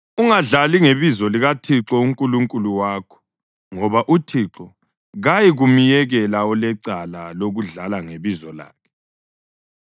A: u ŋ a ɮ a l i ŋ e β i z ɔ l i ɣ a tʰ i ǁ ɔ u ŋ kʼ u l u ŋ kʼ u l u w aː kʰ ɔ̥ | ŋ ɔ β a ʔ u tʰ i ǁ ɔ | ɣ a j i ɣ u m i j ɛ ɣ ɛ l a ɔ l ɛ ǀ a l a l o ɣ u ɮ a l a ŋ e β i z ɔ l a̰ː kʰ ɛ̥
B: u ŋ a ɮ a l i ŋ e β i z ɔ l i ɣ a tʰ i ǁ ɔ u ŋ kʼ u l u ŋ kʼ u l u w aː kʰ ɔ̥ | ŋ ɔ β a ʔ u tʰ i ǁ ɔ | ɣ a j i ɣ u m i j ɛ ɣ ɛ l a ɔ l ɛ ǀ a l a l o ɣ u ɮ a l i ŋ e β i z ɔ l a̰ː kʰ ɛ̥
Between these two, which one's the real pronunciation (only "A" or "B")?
A